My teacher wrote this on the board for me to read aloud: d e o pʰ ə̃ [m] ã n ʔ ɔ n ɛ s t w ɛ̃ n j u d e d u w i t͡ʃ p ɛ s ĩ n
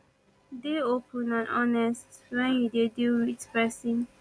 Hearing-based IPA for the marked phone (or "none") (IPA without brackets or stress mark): n